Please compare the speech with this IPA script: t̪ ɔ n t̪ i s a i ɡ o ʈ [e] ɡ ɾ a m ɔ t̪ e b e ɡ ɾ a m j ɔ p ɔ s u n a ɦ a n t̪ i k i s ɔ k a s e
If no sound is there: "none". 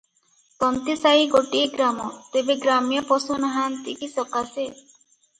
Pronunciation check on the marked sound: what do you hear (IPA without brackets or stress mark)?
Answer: i